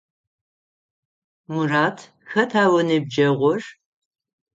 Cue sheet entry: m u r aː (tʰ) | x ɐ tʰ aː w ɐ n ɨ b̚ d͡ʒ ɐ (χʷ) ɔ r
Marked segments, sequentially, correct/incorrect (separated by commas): correct, incorrect